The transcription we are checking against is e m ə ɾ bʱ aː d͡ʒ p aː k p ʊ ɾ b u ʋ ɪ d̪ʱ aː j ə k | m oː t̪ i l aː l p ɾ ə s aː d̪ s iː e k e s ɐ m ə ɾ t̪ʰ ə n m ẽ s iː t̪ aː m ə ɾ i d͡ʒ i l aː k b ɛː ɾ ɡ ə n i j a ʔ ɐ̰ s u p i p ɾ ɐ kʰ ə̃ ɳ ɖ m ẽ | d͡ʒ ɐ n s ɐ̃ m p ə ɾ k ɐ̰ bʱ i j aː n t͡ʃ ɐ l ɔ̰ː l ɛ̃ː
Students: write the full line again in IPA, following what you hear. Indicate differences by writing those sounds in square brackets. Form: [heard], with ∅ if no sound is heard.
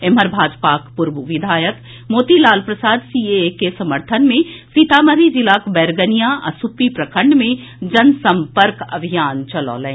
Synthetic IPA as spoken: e m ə ɾ bʱ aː d͡ʒ p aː k p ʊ ɾ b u ʋ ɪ d̪ʱ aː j ə k | m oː t̪ i l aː l p ɾ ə s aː d̪ s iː e k e s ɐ m ə ɾ t̪ʰ ə n m ẽ s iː t̪ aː m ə ɾ i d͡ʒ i l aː k b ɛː ɾ ɡ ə n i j a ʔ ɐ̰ s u p i p ɾ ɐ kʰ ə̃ ɳ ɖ m ẽ | d͡ʒ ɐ n s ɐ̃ m p ə ɾ k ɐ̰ bʱ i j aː n t͡ʃ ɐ l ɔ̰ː l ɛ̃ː